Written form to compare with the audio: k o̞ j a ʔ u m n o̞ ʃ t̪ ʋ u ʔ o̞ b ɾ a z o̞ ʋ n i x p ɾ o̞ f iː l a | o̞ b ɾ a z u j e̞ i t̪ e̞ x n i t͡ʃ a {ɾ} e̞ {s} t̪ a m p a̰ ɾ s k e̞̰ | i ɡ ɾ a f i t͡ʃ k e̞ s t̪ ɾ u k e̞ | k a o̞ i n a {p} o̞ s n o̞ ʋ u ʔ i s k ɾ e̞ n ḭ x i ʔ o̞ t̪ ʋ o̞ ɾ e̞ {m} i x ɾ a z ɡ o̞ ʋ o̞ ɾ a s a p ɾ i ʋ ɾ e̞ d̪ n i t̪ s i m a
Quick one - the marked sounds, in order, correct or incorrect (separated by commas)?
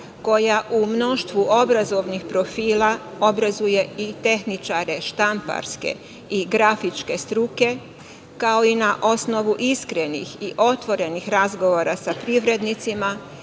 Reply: correct, incorrect, incorrect, incorrect